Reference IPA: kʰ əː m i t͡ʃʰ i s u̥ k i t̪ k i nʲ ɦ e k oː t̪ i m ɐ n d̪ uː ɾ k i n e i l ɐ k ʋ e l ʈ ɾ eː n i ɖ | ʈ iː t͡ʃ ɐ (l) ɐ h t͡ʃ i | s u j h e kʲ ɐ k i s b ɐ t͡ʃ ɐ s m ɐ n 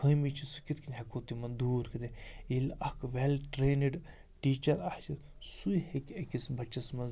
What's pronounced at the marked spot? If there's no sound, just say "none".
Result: ɾ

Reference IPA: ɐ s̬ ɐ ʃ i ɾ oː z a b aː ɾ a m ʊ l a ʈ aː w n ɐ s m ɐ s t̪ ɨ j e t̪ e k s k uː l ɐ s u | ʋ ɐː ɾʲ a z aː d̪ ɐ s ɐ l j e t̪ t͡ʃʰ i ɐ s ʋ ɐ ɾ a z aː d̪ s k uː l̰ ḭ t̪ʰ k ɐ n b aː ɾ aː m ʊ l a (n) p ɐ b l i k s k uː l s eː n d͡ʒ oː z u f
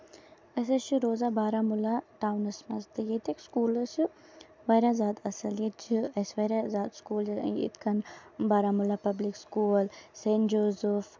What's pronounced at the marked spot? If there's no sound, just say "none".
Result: none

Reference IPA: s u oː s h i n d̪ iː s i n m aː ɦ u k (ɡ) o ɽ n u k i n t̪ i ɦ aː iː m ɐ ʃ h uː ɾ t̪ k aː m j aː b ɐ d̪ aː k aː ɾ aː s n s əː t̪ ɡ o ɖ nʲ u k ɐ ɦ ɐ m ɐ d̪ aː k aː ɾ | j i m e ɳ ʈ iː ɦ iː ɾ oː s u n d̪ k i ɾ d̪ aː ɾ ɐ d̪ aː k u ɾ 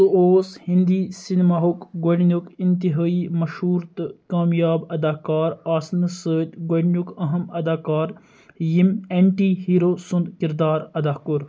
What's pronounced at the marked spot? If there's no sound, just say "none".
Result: ɡ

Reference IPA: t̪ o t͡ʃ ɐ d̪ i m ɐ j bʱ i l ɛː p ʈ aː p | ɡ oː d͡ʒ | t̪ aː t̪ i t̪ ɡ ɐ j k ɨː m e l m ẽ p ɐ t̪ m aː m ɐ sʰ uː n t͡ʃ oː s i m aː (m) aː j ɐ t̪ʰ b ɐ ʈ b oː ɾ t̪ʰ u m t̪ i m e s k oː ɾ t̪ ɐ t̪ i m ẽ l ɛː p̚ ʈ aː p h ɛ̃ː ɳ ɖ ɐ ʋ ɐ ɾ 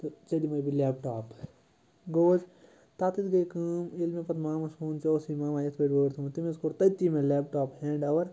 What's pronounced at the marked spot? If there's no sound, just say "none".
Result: m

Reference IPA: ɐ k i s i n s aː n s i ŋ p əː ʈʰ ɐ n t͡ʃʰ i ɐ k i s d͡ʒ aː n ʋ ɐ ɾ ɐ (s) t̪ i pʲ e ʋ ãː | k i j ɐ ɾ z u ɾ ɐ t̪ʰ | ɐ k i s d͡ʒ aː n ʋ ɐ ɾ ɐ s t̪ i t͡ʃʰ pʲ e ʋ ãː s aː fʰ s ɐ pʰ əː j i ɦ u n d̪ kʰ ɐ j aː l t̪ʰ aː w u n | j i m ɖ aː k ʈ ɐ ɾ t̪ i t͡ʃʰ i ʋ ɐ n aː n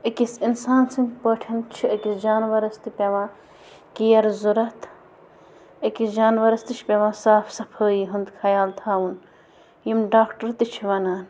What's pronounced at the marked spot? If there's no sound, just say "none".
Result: s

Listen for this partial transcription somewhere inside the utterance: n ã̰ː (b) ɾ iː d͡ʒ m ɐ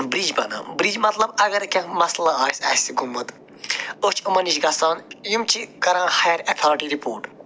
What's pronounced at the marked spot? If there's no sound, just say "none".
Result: b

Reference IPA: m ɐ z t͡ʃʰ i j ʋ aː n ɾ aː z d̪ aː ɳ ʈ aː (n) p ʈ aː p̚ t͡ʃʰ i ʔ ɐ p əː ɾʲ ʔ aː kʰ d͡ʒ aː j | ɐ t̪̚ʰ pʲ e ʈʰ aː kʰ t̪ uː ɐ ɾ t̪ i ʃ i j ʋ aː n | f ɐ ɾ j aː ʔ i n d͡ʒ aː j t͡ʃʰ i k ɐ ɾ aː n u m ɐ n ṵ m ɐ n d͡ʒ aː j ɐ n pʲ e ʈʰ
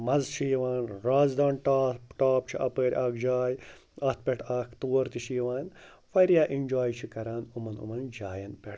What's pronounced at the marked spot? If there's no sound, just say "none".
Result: none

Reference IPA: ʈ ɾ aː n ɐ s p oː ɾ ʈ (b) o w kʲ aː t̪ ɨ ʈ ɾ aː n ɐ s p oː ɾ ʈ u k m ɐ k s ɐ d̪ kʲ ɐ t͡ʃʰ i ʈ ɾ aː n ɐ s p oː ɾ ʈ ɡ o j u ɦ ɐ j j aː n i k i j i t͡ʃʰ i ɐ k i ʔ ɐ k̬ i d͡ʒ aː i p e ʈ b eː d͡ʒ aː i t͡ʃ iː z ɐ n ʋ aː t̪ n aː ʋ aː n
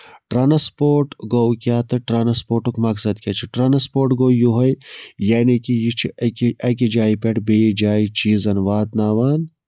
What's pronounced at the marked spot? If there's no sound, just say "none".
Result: ɡ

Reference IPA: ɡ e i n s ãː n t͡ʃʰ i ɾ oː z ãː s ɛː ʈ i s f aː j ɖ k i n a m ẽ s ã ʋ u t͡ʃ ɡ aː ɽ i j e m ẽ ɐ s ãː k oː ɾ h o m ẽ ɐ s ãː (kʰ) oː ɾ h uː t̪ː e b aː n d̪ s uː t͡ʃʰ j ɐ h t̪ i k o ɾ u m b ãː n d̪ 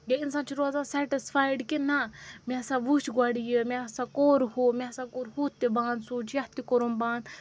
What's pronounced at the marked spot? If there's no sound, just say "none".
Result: k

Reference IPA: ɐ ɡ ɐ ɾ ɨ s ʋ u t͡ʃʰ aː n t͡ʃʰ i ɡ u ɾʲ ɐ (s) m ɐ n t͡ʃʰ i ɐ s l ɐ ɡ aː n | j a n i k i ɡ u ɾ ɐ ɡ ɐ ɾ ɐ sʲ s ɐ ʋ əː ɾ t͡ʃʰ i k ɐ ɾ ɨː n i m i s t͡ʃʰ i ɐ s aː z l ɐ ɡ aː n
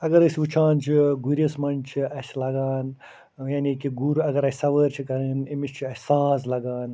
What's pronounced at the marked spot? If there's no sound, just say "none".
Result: s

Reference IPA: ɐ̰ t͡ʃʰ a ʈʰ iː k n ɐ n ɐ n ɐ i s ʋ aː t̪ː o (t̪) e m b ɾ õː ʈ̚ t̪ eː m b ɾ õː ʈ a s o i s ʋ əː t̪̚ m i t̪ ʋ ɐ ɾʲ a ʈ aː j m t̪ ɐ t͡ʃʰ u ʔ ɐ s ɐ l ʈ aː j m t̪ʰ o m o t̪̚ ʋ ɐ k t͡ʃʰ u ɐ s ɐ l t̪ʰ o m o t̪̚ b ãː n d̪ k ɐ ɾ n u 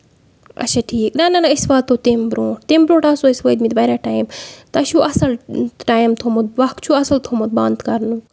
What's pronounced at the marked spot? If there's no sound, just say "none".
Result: t̪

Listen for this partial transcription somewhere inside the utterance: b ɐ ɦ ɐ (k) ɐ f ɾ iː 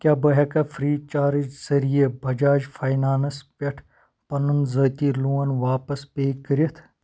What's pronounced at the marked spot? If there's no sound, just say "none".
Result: k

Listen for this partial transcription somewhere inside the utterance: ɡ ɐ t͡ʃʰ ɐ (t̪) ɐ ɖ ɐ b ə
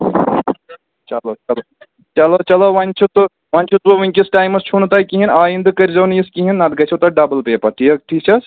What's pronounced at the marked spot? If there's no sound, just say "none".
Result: t̪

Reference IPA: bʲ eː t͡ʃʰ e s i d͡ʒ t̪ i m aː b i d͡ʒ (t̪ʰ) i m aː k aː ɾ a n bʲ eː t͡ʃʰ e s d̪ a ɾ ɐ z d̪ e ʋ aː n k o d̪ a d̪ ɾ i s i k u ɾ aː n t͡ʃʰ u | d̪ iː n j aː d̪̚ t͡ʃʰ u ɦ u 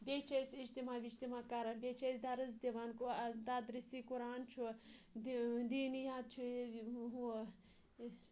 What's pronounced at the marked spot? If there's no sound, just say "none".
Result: t̪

